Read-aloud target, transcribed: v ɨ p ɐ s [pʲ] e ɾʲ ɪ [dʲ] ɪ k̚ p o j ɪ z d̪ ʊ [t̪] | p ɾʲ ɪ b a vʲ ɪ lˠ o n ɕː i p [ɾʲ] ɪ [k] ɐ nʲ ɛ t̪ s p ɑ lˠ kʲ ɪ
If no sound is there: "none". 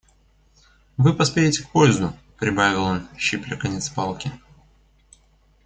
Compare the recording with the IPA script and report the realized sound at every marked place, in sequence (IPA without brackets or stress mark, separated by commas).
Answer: pʲ, tʲ, none, lʲ, k